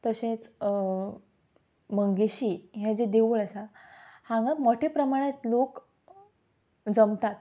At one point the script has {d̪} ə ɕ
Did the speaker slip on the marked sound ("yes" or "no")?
yes